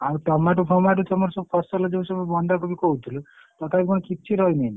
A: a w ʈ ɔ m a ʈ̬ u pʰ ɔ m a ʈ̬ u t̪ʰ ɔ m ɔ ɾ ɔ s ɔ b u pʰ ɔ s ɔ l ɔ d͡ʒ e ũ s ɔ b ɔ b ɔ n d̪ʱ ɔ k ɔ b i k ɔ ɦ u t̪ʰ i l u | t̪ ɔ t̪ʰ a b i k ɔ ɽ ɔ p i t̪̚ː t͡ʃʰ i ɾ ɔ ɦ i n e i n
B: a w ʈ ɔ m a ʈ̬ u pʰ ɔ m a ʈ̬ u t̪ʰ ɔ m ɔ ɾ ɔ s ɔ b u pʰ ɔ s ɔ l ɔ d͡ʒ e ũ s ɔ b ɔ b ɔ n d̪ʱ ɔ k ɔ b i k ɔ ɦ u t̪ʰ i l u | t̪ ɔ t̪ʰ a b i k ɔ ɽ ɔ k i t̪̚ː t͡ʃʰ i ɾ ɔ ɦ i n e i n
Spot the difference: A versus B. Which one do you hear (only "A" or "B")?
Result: B